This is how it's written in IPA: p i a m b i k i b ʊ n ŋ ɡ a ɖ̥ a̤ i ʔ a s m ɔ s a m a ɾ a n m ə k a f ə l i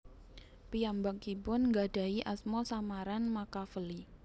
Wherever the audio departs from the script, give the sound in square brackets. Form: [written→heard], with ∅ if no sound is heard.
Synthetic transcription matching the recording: p i a m b [i→a] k i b ʊ n ŋ ɡ a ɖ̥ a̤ i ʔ a s m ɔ s a m a ɾ a n m [ə→a] k a f ə l i